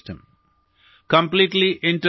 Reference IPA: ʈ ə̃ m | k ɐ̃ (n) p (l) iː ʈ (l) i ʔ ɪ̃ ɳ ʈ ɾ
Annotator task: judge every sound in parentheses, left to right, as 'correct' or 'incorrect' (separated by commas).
incorrect, correct, correct